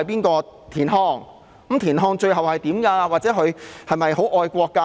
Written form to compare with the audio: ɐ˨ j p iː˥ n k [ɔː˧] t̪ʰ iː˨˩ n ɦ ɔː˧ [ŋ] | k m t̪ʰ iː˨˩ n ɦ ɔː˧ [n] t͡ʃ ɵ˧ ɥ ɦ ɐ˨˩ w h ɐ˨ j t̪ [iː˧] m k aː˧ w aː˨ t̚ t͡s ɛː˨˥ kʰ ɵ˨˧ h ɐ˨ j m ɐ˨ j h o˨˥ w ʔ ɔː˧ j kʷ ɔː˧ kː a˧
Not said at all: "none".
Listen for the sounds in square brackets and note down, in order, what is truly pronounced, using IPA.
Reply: ɔː˧, ŋ, ŋ, iː˨˥

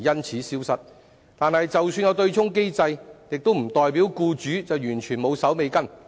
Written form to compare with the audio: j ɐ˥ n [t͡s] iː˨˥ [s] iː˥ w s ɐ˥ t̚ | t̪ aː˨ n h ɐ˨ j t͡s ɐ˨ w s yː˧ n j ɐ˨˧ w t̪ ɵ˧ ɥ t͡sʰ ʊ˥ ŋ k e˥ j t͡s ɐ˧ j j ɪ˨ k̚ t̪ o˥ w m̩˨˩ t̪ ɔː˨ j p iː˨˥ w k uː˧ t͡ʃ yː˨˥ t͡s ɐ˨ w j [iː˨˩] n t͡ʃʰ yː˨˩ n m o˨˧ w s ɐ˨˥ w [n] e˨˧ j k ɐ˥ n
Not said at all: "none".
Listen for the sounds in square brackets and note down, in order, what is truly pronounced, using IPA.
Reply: t͡sʰ, s, yː˨˩, m

